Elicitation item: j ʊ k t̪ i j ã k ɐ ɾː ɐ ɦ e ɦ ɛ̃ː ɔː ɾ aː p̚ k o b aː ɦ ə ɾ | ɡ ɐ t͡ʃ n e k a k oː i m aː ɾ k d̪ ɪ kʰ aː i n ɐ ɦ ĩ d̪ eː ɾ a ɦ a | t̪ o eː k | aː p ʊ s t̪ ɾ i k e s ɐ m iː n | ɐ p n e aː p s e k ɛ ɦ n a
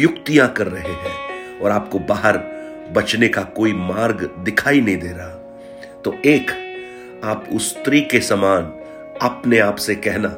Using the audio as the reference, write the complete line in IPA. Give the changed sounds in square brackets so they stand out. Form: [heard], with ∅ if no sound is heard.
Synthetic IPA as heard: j ʊ k t̪ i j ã k ɐ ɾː ɐ ɦ e ɦ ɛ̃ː ɔː ɾ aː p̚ k o b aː ɦ ə ɾ | [b] ɐ t͡ʃ n e k a k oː i m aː ɾ [ɡ] d̪ ɪ kʰ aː i n ɐ ɦ ĩ d̪ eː ɾ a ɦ a | t̪ o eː k | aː p ʊ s t̪ ɾ i k e s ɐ m [aː] n | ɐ p n e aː p s e k ɛ ɦ n a